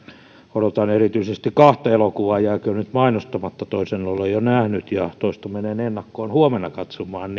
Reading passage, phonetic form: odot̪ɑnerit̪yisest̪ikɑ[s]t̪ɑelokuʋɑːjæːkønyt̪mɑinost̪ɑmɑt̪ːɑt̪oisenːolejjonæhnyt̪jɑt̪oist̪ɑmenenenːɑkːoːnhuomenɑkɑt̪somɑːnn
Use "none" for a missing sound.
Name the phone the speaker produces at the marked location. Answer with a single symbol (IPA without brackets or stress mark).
h